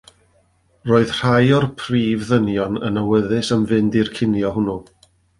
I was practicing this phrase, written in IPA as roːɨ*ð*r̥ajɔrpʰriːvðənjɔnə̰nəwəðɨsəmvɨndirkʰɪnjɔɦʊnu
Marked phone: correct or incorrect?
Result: correct